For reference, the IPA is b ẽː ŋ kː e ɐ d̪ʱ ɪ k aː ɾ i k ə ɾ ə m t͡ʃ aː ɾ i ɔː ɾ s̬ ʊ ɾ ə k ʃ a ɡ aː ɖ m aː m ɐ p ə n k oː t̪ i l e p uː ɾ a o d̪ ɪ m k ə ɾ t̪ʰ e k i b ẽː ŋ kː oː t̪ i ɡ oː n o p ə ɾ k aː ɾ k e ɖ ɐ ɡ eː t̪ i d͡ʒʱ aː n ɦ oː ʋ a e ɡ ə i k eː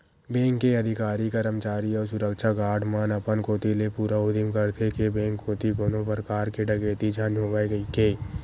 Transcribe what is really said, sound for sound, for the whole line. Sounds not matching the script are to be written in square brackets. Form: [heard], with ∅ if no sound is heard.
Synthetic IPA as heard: b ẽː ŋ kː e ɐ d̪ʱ ɪ k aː ɾ i k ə ɾ ə m t͡ʃ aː ɾ i ɔː ɾ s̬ ʊ ɾ ə k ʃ a ɡ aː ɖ m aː [n] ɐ p ə n k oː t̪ i l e p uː ɾ a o d̪ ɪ m k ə ɾ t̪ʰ e k [e] b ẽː ŋ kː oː t̪ i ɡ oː n o p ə ɾ k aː ɾ k e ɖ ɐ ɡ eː t̪ i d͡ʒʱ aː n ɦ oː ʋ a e ɡ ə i k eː